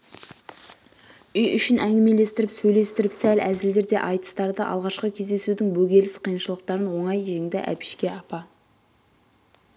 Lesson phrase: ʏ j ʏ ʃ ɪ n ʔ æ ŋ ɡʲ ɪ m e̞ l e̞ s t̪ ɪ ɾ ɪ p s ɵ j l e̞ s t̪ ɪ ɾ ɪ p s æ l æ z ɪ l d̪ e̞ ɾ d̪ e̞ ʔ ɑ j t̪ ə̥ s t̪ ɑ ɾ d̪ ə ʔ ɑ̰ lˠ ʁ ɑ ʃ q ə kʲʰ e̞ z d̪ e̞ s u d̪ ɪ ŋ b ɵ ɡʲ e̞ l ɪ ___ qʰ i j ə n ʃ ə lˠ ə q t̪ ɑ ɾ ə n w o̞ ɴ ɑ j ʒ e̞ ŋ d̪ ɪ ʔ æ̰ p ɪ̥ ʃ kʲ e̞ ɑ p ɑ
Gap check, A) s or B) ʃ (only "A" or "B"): A